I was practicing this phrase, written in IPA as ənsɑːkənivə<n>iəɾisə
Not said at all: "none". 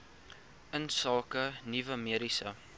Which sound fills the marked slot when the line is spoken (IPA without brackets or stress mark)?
m